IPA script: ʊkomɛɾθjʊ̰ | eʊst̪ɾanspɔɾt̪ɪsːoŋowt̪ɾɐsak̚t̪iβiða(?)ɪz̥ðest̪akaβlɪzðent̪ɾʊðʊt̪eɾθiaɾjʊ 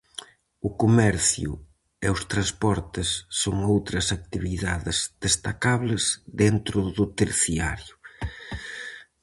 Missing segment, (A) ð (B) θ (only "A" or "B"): A